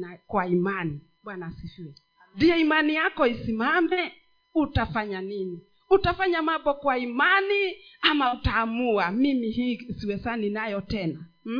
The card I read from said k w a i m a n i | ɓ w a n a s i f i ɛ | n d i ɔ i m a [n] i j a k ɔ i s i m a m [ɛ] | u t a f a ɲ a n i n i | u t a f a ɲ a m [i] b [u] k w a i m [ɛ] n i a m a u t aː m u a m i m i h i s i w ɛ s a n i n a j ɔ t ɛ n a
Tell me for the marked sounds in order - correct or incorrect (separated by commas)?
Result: correct, correct, incorrect, incorrect, incorrect